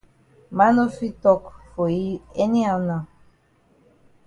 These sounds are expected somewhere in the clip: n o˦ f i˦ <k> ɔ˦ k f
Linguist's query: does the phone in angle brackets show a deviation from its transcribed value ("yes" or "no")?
yes